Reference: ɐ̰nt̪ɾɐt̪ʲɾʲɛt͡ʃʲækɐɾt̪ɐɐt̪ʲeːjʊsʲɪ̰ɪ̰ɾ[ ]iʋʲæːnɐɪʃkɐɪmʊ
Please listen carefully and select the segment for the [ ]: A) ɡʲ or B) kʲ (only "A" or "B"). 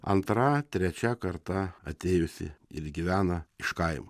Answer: A